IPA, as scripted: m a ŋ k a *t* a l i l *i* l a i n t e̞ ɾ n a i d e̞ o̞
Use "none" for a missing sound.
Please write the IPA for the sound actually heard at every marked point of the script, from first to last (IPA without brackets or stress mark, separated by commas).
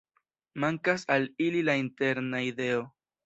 s, i